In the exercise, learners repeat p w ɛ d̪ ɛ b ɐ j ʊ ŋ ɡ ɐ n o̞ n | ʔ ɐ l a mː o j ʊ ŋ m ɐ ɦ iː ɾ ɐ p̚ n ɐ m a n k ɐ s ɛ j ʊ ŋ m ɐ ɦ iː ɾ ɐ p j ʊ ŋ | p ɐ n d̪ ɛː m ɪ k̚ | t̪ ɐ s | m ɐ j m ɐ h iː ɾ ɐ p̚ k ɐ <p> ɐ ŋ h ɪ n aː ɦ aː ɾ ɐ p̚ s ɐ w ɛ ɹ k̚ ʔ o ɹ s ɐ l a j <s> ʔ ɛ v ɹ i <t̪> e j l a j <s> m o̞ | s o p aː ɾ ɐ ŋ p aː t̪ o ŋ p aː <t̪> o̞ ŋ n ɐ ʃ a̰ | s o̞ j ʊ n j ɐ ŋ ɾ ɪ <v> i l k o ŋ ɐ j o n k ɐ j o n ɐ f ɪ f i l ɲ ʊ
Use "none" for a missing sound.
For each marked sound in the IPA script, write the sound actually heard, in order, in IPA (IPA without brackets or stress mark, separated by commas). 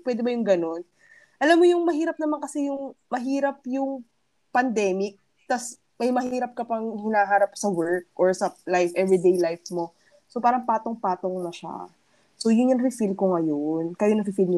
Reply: p, f, d̪, f, t̪, f